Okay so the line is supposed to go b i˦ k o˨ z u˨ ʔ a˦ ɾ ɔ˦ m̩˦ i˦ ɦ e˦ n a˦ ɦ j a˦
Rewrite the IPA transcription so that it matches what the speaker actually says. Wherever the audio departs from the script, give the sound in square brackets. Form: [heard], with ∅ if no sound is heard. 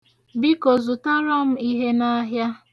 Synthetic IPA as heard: b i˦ k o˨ z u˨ [t] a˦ ɾ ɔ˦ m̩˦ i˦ ɦ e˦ n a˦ ɦ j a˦